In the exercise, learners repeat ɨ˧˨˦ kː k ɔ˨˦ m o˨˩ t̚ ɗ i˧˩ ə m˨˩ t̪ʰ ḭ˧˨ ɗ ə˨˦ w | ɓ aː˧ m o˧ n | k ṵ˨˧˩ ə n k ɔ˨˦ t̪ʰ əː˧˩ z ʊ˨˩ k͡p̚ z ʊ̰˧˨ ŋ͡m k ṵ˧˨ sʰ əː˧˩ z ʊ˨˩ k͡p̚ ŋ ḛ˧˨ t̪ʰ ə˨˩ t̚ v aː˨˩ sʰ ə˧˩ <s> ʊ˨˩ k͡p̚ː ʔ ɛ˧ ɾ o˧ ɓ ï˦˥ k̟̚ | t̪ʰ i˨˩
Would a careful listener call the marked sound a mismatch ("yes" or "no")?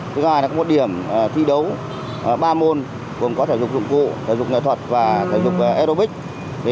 yes